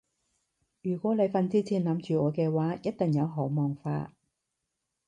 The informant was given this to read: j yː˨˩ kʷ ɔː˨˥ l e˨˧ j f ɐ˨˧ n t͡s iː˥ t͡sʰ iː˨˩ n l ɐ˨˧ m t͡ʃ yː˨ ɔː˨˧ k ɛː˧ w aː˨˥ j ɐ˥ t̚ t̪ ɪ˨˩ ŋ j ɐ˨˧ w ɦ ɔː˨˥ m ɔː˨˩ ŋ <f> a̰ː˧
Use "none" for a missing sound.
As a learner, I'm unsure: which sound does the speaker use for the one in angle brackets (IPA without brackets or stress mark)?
f